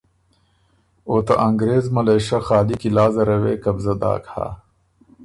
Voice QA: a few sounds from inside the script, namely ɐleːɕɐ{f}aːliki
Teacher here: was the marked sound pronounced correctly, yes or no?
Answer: no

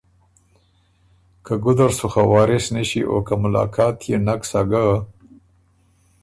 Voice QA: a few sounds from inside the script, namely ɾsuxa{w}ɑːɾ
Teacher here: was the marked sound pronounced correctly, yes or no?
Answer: yes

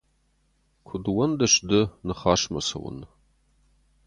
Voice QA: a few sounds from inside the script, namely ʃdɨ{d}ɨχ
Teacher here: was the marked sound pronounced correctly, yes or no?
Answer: no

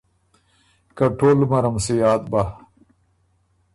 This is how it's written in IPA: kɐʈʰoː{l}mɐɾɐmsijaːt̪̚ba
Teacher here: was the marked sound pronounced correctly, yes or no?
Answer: yes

